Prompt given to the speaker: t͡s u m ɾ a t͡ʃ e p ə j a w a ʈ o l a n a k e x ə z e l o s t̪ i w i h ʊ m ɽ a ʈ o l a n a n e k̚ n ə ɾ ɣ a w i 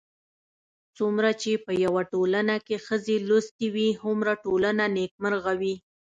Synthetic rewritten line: t͡s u m ɾ a t͡ʃ e p ə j a w a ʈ o l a n a k e x ə z e l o s t̪ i w i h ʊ m ɾ a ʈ o l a n a n e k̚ m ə ɾ ɣ a w i